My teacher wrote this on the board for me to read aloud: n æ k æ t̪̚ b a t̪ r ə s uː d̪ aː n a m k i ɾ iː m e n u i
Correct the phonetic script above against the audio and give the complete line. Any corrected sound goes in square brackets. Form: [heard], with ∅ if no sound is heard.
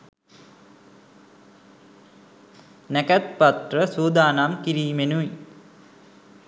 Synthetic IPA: n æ k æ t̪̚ [p] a t̪ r ə s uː d̪ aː n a m k i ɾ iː m e n u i